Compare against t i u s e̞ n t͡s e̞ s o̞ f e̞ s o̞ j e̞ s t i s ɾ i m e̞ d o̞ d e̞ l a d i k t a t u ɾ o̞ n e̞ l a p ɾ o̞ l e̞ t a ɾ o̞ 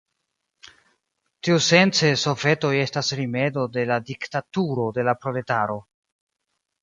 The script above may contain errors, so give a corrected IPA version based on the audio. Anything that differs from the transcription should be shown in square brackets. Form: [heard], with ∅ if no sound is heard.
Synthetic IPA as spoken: t i u s e̞ n t͡s e̞ s o̞ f e̞ [t] o̞ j e̞ s t [a] s ɾ i m e̞ d o̞ d e̞ l a d i k t a t u ɾ o̞ [d] e̞ l a p ɾ o̞ l e̞ t a ɾ o̞